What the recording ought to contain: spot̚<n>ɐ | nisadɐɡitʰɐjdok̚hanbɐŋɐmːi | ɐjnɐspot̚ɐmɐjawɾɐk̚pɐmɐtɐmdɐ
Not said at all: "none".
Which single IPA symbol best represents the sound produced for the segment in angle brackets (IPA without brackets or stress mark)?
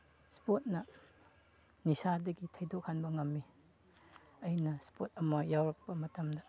n